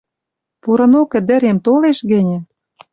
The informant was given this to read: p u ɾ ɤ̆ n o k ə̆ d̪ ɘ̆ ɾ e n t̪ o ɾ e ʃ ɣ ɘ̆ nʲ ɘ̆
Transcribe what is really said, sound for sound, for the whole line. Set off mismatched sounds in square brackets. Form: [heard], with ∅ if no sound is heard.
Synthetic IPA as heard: p u ɾ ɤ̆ n o k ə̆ d̪ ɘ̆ ɾ e [m] t̪ o [l] e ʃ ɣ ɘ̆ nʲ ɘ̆